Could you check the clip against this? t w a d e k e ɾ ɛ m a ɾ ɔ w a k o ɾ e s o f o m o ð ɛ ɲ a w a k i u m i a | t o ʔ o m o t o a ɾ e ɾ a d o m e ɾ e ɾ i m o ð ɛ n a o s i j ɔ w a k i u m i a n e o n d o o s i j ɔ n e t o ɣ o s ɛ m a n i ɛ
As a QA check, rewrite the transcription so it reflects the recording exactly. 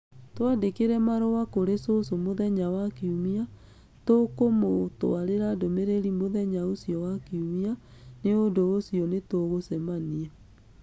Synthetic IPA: t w a d e k e ɾ ɛ m a ɾ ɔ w a k o ɾ e s o s o m o ð ɛ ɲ a w a k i u m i a | t o k o m o t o a ɾ e ɾ a d o m e ɾ e ɾ i m o ð ɛ ɲ a o s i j ɔ w a k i u m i a n e o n d o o s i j ɔ n e t o ɣ o s ɛ m a n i ɛ